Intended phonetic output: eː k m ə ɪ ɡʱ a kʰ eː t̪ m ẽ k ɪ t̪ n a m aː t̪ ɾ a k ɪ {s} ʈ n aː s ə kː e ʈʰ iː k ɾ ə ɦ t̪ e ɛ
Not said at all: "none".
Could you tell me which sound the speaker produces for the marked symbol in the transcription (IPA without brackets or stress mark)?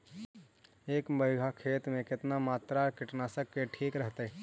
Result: none